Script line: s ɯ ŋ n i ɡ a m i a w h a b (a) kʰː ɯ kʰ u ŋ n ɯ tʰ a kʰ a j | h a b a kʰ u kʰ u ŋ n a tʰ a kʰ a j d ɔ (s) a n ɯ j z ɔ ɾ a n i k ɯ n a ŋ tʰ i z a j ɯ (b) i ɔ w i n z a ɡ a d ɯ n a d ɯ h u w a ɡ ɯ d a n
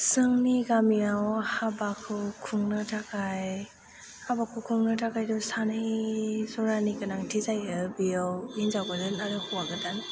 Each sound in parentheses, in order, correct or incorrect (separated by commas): correct, correct, correct